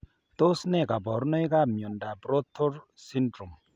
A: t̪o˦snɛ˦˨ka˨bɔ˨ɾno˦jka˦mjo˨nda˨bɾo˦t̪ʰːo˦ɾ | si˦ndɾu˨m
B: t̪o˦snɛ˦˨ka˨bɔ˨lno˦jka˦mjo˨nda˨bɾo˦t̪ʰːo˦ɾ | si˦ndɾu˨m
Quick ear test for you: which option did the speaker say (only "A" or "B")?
A